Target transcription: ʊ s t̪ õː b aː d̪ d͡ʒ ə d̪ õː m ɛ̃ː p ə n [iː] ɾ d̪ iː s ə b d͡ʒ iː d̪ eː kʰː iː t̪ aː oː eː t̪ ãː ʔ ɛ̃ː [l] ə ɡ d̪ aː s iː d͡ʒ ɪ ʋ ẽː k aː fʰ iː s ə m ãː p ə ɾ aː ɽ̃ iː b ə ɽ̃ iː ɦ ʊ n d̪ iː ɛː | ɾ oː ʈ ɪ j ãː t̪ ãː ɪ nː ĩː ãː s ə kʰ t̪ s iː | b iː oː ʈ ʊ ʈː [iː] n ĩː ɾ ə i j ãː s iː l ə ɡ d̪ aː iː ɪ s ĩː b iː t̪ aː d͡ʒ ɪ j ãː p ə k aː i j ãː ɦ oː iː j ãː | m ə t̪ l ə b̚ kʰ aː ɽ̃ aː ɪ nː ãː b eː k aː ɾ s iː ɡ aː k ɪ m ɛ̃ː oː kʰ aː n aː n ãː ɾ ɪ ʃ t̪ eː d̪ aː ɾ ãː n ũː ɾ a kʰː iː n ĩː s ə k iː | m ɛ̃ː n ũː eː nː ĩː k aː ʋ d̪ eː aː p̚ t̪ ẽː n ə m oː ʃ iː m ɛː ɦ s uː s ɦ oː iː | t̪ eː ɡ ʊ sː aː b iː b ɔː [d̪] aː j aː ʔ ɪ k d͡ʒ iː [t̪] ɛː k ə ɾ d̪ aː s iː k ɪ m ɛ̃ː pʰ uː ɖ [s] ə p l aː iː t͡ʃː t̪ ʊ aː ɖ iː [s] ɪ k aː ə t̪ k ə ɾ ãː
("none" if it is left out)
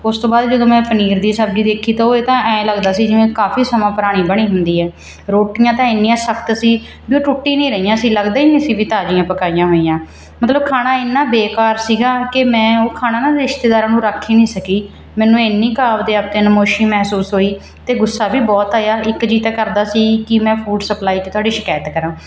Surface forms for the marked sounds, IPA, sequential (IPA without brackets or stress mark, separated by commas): iː, l, iː, t̪, t̪, s, ʃ